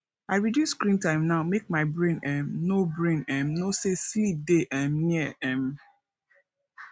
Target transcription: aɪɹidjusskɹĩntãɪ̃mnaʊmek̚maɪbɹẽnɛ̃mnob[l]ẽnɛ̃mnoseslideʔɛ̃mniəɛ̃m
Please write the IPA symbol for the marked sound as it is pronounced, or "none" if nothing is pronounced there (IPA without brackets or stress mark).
ɹ